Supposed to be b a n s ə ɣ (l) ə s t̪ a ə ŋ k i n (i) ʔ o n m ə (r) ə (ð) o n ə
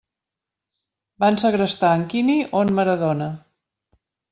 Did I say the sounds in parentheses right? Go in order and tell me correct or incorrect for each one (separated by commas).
incorrect, correct, incorrect, correct